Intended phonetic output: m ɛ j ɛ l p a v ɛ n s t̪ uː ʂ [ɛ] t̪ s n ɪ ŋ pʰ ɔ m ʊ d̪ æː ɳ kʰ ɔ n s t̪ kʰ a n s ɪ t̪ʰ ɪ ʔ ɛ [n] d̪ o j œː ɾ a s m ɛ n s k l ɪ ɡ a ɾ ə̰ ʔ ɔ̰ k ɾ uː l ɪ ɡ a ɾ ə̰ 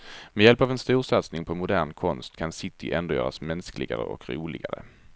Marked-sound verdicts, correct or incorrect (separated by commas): incorrect, correct